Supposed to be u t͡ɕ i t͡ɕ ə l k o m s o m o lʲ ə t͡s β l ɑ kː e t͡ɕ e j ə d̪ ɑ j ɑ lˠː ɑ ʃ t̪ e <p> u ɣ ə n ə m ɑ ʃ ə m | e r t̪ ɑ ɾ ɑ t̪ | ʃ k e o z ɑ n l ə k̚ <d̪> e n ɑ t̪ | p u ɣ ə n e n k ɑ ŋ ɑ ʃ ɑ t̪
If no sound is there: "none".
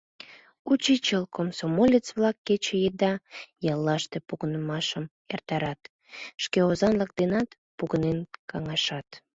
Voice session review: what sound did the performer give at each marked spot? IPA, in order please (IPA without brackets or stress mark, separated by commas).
p, d̪